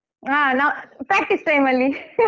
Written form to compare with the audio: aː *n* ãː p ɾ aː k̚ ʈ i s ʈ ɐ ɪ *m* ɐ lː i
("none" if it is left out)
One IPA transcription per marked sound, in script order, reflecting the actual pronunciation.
n, m

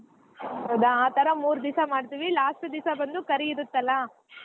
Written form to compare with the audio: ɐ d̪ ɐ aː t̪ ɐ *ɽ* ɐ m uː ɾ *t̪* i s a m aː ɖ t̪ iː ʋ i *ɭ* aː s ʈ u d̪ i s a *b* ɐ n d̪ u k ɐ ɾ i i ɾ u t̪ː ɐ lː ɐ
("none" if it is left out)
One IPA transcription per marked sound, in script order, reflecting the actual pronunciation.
ɾ, d̪, l, b

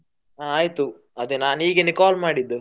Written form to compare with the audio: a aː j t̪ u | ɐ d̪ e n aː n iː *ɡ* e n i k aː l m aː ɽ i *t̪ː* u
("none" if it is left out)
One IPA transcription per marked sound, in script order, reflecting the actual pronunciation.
ɡ, d̪ː

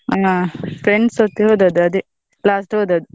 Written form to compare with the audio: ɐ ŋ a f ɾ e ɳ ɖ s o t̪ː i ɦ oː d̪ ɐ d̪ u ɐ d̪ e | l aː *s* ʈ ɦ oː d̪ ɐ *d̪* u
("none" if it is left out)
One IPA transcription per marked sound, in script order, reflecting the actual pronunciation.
s, d̪

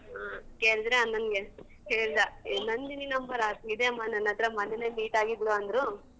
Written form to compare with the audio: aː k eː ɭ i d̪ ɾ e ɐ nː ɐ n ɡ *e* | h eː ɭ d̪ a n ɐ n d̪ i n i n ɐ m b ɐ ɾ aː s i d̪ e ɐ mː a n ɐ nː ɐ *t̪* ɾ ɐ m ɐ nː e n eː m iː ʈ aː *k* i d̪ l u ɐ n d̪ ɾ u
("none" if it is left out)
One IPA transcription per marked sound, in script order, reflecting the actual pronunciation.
e, t̪, ɡ

